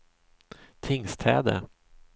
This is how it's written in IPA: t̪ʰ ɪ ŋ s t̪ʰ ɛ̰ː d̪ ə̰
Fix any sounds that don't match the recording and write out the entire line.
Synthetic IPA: t̪ʰ ɪ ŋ s t̪ʰ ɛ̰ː d̪ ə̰